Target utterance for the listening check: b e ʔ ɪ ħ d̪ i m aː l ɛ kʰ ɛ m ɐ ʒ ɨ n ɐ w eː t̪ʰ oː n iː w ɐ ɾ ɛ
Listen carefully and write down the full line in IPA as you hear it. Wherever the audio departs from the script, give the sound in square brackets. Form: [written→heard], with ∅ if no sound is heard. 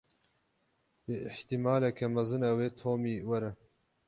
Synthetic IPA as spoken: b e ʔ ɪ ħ [d̪→t̪] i m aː l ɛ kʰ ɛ m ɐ [ʒ→z] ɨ n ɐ w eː t̪ʰ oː [n→m] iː w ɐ ɾ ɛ